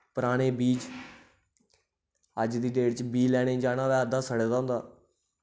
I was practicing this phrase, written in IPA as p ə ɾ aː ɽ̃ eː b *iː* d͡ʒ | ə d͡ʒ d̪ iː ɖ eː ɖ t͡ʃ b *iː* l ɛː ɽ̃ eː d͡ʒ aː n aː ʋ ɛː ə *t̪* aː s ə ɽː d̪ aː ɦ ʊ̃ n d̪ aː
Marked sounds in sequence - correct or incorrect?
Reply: correct, correct, incorrect

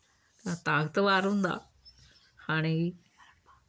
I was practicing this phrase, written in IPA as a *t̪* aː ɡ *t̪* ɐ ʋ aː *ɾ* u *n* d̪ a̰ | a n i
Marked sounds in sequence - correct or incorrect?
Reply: correct, correct, correct, correct

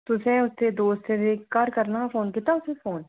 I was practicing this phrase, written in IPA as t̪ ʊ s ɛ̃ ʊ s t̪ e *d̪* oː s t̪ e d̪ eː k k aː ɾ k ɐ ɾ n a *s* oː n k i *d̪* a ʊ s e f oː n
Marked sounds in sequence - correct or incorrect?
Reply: correct, incorrect, incorrect

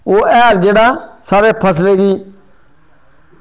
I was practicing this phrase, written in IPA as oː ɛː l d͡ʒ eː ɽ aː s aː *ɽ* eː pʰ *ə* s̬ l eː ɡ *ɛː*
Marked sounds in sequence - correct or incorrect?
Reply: incorrect, correct, incorrect

